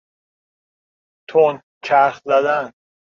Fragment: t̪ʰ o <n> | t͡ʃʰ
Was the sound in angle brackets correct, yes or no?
yes